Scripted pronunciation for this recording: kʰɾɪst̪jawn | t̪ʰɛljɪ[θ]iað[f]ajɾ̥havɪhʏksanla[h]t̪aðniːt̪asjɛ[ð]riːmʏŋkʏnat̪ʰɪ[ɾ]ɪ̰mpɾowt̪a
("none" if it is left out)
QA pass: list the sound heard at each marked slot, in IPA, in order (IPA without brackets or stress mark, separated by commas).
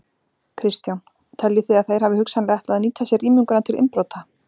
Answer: θ, θ, h, none, l